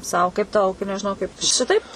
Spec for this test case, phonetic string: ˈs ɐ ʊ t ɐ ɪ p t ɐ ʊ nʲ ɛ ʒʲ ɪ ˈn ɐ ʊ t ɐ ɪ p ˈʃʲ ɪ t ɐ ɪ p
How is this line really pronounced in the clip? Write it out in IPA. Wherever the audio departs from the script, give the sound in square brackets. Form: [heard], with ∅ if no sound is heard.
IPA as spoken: ˈs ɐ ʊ [k] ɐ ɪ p t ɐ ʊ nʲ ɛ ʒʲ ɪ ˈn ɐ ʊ [k] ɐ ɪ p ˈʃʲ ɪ t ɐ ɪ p